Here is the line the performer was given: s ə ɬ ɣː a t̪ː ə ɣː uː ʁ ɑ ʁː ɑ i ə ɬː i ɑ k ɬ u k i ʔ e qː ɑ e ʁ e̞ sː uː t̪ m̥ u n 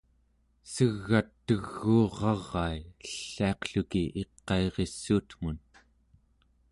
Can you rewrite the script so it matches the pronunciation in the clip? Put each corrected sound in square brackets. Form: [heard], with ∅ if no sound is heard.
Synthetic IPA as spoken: s ə [∅] ɣː a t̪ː ə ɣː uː ʁ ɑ ʁː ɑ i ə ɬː i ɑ [q] ɬ u k i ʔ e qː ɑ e ʁ e̞ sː uː t̪ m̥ u n